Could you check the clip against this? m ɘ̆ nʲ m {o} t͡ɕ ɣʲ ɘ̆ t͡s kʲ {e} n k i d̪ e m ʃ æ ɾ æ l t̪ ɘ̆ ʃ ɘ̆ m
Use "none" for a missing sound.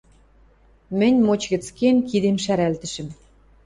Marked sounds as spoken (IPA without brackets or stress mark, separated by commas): o, e